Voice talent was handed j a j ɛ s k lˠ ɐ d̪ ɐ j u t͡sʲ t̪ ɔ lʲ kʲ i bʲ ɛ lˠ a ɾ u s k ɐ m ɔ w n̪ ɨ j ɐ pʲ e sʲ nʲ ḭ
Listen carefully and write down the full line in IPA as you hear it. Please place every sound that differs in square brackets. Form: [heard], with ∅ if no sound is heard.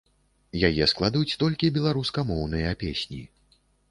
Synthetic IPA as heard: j a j ɛ s k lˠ [a] d̪ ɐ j u t͡sʲ t̪ ɔ lʲ kʲ i bʲ ɛ lˠ a ɾ u s k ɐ m ɔ w n̪ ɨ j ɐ pʲ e sʲ nʲ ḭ